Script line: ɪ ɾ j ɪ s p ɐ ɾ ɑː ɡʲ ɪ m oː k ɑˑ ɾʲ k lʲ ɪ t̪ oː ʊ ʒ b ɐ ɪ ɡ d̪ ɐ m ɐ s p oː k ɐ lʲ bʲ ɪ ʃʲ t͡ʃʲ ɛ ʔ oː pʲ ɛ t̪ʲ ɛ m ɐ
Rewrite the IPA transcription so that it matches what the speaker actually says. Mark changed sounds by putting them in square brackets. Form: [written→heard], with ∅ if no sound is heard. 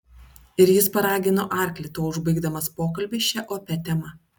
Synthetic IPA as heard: ɪ ɾ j ɪ s p ɐ ɾ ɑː ɡʲ ɪ [m→n] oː [k→ʔ] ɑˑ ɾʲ k lʲ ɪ t̪ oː ʊ ʒ b ɐ ɪ ɡ d̪ ɐ m ɐ s p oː k ɐ lʲ bʲ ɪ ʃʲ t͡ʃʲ ɛ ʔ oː pʲ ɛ t̪ʲ ɛ m ɐ